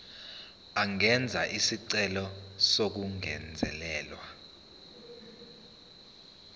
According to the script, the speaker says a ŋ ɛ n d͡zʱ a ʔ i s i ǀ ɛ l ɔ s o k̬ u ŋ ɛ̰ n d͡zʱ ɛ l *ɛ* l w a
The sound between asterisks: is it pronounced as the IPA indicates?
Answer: no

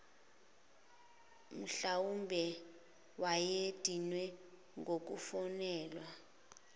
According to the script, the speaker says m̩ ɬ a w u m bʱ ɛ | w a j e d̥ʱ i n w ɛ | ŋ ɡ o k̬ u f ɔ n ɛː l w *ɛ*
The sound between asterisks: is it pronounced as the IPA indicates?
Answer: no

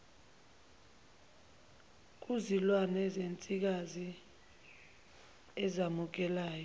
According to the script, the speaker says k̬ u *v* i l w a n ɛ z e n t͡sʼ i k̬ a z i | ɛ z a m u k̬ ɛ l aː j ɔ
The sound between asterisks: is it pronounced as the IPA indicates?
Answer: no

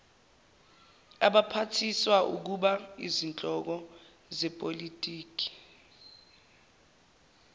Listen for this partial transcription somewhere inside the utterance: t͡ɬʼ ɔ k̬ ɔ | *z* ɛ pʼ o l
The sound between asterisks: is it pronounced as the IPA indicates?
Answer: yes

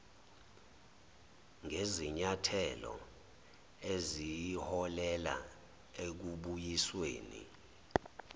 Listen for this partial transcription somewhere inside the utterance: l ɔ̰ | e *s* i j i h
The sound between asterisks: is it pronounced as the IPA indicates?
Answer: no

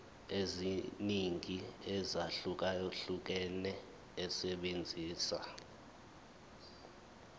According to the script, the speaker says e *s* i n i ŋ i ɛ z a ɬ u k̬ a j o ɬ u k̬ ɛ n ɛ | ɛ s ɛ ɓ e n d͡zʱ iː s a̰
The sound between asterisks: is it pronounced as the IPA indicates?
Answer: no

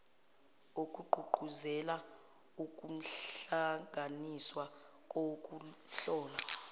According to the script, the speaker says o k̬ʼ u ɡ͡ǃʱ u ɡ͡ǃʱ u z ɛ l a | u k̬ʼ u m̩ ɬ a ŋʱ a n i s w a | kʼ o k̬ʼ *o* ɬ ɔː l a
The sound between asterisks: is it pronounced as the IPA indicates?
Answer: no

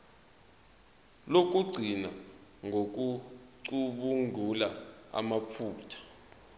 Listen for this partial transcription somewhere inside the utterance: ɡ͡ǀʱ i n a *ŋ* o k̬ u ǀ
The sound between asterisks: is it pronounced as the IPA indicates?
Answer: yes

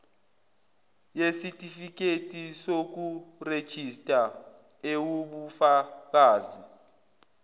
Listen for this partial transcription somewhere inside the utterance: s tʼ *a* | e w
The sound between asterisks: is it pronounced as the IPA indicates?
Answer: yes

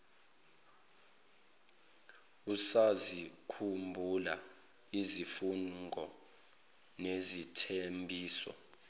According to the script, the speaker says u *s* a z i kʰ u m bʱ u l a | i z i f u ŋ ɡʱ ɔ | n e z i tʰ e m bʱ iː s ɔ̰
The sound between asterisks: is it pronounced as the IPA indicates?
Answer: yes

